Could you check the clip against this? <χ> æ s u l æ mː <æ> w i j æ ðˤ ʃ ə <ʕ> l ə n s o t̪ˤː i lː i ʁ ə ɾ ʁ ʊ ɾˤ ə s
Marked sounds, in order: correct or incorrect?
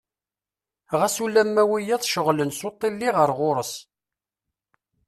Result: incorrect: ʁ, correct, incorrect: ʁ

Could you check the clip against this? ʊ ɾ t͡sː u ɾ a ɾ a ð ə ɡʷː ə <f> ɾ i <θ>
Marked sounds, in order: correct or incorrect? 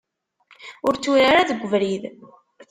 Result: incorrect: v, incorrect: ð

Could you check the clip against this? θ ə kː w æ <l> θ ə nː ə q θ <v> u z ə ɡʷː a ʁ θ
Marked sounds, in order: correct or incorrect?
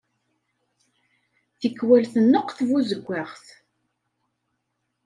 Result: correct, correct

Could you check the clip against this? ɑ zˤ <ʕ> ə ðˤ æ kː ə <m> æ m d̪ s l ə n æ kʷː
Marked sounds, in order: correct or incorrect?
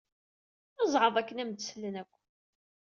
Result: correct, incorrect: n

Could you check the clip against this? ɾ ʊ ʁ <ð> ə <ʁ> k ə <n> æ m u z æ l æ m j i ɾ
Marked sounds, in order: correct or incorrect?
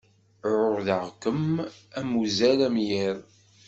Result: correct, correct, incorrect: m

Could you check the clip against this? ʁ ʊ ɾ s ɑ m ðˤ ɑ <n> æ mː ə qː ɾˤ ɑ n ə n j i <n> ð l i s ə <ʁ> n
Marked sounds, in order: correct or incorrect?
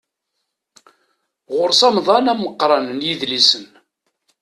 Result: correct, incorrect: none, incorrect: none

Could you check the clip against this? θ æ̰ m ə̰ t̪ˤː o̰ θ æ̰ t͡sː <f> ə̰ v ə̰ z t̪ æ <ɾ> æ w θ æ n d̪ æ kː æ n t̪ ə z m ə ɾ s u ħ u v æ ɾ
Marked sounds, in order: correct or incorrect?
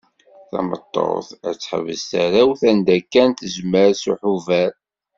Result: incorrect: ħ, correct

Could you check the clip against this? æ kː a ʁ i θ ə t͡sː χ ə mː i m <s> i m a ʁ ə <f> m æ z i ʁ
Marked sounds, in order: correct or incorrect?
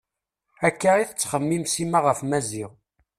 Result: correct, correct

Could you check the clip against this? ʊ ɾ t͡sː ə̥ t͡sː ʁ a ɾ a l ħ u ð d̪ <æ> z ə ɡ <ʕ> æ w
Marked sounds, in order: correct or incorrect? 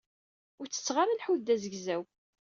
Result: correct, incorrect: z

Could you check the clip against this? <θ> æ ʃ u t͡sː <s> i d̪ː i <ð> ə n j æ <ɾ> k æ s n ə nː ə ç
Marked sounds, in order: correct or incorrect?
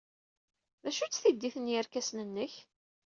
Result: incorrect: ð, incorrect: θ, incorrect: θ, correct

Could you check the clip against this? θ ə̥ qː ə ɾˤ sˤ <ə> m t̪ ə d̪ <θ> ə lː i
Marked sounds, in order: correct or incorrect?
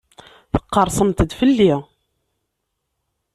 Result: correct, incorrect: f

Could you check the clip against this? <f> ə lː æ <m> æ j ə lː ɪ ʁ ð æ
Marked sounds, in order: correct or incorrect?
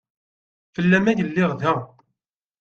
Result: correct, correct

